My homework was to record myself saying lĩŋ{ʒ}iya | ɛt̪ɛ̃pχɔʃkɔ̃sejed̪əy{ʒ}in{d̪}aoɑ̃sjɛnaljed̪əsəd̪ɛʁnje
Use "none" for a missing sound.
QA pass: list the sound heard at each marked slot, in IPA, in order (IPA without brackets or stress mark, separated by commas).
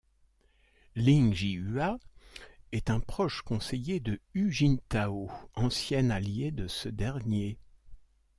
ʒ, ʒ, t̪